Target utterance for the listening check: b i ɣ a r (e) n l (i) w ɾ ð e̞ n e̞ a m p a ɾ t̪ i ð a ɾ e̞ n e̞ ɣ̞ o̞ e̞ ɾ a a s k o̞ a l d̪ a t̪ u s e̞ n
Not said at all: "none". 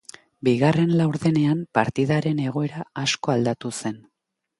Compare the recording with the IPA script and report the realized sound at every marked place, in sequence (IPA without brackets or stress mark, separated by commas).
e, a